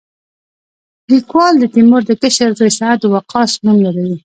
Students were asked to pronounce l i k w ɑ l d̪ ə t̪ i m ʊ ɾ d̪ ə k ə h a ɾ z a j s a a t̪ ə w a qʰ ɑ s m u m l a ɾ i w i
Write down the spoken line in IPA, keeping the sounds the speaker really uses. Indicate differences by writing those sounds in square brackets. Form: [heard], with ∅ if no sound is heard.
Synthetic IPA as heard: l i k w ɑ l d̪ ə t̪ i m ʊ ɾ d̪ ə k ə [ʃ] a ɾ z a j s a a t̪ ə w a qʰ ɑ s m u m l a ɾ [a] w i